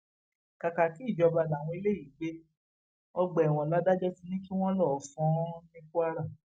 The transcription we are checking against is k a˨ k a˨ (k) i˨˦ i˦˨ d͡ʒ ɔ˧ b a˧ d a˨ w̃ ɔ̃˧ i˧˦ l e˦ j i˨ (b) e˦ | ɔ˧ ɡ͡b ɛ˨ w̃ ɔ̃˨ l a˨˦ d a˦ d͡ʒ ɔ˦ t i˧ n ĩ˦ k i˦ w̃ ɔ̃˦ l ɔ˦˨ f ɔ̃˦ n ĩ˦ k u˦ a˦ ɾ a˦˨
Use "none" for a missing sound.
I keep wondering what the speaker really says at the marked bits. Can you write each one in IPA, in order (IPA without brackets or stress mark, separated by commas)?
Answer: k, ɡ͡b